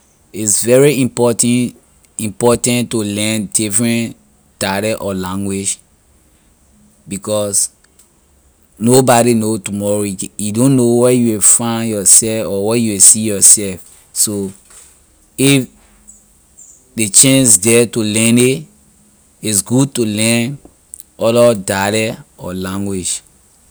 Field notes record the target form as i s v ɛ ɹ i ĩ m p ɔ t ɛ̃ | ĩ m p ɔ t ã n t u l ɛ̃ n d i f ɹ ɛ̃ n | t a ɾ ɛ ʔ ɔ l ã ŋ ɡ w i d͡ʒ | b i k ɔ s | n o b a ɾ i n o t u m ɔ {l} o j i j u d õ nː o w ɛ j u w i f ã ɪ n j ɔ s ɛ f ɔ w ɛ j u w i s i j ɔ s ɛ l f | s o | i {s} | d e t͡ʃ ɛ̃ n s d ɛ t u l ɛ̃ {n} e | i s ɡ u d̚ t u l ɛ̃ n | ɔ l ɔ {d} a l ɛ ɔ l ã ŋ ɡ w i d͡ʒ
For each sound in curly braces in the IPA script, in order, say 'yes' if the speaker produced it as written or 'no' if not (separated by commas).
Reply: no, no, yes, yes